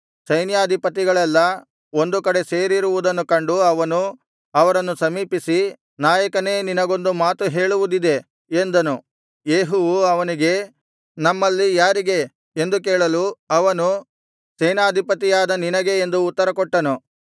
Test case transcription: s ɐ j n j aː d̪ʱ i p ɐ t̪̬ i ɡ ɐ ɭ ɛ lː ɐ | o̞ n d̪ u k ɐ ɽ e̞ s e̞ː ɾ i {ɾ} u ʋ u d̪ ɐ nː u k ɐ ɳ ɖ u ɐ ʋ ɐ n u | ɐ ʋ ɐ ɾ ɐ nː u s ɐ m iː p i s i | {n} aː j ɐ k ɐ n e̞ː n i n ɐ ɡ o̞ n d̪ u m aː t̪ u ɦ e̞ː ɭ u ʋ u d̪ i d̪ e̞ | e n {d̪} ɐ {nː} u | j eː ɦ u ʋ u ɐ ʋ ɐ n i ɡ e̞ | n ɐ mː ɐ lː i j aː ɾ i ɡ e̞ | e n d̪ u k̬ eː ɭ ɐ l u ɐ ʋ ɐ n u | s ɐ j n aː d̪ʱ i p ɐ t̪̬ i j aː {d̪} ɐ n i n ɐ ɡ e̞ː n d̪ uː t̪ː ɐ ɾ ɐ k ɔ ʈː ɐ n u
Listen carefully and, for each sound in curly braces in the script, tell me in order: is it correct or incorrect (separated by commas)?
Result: correct, correct, correct, incorrect, correct